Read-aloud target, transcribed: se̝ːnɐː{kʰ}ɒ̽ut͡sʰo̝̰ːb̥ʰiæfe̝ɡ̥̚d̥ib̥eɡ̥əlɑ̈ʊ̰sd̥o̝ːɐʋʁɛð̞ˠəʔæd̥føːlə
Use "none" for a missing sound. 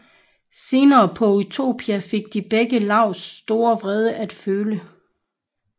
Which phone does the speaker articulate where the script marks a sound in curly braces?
pʰ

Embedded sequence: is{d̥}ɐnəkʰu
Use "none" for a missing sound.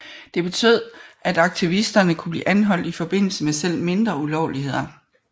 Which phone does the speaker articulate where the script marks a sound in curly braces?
d̥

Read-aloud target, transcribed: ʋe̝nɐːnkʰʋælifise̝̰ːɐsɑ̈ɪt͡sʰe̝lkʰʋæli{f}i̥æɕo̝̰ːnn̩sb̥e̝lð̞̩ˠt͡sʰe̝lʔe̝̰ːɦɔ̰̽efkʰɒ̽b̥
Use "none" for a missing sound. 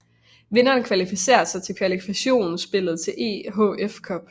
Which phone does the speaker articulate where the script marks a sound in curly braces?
f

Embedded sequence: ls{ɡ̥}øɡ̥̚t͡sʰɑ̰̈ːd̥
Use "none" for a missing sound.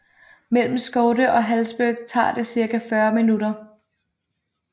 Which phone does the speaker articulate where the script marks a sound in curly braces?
b̥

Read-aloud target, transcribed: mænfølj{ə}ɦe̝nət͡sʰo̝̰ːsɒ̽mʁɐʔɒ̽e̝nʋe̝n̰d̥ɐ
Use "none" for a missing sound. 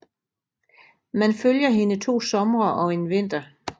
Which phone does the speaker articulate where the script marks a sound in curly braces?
ɐ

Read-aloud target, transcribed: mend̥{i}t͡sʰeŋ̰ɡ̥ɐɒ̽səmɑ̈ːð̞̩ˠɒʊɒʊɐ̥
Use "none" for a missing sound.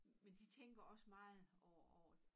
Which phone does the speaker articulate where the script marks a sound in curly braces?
i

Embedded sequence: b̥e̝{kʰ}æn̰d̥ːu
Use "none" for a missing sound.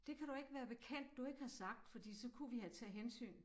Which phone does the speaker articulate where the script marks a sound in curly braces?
kʰ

